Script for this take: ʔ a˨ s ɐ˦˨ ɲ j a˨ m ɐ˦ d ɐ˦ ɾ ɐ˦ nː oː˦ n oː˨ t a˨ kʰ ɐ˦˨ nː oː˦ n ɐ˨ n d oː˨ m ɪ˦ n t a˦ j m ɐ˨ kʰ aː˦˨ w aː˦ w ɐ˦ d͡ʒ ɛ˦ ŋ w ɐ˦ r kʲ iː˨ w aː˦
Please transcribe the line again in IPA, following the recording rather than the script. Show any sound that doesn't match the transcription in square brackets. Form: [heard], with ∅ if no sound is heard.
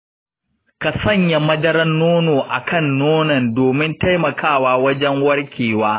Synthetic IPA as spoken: [k] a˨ s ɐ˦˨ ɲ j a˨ m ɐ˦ d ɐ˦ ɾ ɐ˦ nː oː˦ n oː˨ [ʔ] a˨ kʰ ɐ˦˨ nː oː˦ n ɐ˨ n d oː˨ m ɪ˦ n t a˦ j m ɐ˨ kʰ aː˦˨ w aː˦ w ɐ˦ d͡ʒ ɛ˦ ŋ w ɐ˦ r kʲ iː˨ w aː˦